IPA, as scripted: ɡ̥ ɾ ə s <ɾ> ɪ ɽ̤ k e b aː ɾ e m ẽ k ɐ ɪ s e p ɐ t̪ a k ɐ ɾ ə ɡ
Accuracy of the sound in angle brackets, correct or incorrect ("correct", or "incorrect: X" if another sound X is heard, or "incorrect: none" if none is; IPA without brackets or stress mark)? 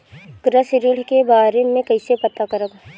correct